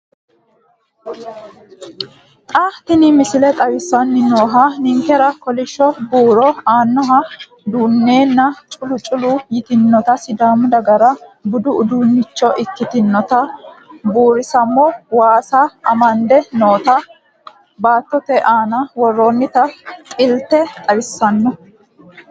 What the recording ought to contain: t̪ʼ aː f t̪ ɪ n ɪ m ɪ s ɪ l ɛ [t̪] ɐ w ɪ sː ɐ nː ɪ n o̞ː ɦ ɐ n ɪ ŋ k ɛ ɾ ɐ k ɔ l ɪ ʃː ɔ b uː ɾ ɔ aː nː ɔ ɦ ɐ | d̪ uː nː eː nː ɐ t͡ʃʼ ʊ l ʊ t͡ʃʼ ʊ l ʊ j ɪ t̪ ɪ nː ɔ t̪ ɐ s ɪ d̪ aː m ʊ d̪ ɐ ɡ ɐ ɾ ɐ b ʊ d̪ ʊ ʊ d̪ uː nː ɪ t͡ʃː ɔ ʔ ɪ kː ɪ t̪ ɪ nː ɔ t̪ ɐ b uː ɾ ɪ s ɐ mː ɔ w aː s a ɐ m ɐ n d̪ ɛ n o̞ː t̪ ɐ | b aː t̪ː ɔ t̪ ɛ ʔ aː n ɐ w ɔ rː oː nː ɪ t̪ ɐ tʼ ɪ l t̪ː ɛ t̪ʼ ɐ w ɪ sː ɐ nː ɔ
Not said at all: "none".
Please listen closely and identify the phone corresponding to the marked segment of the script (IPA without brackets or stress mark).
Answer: t̪ʼ